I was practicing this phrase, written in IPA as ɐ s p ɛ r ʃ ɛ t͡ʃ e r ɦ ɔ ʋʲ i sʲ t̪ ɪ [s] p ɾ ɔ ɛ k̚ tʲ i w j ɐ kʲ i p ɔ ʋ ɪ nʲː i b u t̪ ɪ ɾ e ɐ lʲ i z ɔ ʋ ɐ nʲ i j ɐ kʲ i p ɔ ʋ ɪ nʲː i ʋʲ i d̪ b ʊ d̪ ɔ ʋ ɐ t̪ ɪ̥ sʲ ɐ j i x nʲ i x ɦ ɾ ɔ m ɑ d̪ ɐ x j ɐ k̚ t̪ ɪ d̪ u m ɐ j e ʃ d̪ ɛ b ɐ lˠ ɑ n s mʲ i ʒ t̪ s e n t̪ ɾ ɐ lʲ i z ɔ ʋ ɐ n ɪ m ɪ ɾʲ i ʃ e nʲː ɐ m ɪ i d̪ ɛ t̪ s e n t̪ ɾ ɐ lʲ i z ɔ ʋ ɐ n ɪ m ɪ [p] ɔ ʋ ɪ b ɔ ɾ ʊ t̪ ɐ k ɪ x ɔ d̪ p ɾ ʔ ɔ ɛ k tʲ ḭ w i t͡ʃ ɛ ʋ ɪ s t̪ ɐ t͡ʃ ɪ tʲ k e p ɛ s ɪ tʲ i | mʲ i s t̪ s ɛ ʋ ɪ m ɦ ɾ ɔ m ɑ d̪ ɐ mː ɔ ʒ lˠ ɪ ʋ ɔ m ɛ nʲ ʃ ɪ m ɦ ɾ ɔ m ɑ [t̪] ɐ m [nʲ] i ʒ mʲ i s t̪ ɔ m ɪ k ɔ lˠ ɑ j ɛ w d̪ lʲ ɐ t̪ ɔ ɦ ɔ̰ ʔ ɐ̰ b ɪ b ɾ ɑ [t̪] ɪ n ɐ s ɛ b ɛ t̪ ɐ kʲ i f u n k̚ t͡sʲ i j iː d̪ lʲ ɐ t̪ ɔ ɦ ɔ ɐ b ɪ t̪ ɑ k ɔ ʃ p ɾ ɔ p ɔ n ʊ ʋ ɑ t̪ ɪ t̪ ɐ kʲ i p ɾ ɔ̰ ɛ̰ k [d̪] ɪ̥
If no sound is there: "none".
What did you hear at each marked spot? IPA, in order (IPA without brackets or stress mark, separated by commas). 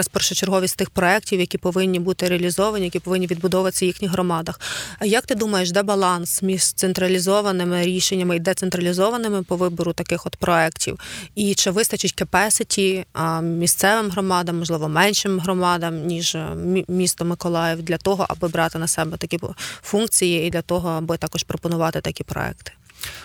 x, p, d̪, nʲ, t̪, t̪